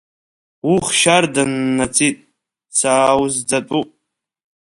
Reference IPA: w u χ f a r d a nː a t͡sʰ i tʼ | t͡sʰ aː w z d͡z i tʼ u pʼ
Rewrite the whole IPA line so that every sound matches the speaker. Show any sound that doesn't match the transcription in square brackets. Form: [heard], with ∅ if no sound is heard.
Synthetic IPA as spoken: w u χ [ʃ] a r d a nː a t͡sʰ i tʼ | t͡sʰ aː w z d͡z [a] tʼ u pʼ